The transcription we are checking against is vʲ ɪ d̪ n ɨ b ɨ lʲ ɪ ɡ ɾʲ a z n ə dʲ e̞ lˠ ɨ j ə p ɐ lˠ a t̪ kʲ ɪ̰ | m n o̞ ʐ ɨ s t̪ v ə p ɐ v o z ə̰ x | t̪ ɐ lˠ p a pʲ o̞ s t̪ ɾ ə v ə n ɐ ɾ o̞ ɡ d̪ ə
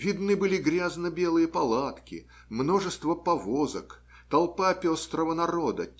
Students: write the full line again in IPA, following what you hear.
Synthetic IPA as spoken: vʲ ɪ d̪ n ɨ b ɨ lʲ ɪ ɡ ɾʲ a z n ə bʲ e̞ lˠ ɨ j ə p ɐ lˠ a t̪ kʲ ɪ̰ | m n o̞ ʐ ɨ s t̪ v ə p ɐ v o z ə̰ k | t̪ ɐ lˠ p a pʲ o̞ s t̪ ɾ ə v ə n ɐ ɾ o̞ d̪ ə